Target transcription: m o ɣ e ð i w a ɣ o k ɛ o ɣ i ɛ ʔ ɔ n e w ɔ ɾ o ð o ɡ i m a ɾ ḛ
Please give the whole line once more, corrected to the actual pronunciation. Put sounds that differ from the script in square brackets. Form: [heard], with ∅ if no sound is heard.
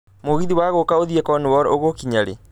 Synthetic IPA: m o ɣ [i] ð i w a ɣ o k [a] o [ð] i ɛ [k] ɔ n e w ɔ ɾ o [ɣ] o [k] i [ɲ] a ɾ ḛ